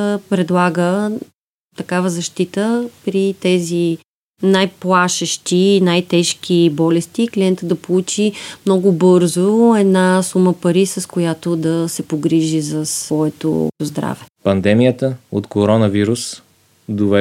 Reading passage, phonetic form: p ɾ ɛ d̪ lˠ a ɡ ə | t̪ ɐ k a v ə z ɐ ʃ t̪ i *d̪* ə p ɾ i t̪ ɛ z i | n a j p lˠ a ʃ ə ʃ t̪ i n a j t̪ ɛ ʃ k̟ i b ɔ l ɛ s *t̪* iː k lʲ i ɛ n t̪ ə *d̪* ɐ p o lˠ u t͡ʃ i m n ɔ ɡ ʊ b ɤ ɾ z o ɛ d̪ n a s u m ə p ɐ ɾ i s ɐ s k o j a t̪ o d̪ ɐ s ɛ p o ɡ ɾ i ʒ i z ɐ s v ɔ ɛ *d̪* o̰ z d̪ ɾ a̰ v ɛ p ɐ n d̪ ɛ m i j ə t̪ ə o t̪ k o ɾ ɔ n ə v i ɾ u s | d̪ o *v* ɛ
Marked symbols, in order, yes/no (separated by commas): no, yes, yes, no, yes